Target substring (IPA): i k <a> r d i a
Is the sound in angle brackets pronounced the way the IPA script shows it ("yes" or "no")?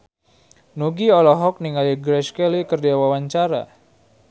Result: no